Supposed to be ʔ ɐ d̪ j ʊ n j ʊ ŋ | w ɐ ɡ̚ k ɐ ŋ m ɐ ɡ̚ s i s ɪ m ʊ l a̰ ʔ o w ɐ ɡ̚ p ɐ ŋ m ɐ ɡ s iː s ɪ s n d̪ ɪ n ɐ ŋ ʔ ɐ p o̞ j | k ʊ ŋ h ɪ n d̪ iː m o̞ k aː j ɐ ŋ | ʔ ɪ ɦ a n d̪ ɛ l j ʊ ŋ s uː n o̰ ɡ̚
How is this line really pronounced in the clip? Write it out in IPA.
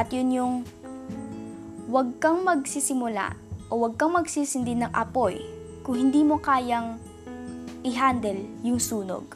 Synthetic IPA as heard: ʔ ɐ t̪ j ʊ n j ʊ ŋ | w ɐ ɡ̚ k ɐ ŋ m ɐ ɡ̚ s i s ɪ m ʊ l a̰ ʔ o w ɐ ɡ̚ k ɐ ŋ m ɐ ɡ s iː s ɪ n d̪ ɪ n ɐ ŋ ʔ ɐ p o̞ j | k ʊ ŋ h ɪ n d̪ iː m o̞ k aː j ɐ ŋ | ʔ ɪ ɦ a n d̪ ɛ l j ʊ ŋ s uː n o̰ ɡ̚